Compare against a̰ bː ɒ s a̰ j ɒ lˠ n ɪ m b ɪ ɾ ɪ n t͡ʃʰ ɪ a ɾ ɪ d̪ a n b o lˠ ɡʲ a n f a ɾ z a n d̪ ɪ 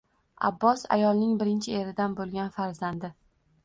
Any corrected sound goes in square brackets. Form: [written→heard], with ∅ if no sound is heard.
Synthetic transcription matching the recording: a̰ bː ɒ s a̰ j ɒ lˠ n ɪ [m→ŋ] b ɪ ɾ ɪ n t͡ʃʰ ɪ [a→e] ɾ ɪ d̪ a n b o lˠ ɡʲ a n f a ɾ z a n d̪ ɪ